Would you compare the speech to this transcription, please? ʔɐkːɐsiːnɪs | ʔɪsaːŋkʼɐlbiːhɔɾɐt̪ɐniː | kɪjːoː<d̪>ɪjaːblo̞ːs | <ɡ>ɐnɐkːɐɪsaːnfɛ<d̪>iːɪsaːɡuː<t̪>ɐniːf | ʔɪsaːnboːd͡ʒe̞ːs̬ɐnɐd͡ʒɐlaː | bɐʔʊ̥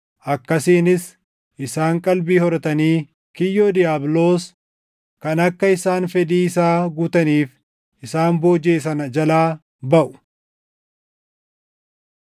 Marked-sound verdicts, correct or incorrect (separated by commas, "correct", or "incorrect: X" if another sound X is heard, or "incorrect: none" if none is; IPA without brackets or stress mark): correct, incorrect: k, correct, correct